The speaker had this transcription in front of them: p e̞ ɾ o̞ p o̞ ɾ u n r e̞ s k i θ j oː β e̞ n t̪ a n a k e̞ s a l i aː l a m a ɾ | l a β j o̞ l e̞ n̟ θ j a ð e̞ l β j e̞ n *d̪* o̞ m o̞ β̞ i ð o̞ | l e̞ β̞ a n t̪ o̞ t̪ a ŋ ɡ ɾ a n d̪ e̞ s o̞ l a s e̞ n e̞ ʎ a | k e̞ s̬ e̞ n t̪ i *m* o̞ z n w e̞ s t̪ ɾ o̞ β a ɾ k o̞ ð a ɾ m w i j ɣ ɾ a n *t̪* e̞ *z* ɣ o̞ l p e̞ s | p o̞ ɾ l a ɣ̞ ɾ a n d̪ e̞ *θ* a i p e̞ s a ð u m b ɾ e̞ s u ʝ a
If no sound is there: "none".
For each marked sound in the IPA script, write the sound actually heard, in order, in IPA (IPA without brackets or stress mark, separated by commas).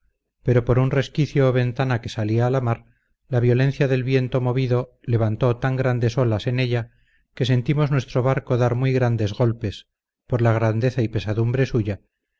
t̪, m, d̪, z, θ